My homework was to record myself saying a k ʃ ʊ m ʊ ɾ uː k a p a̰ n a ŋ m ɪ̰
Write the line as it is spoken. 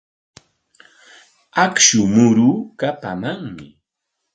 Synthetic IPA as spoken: a k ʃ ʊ m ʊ ɾ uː k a p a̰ m a ŋ m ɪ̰